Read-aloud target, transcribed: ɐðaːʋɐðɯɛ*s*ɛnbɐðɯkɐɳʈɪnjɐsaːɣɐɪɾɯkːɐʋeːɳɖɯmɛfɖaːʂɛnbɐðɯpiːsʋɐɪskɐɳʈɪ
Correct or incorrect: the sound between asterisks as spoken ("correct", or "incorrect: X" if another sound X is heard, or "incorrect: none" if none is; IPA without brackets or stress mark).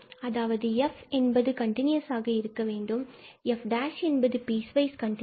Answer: incorrect: f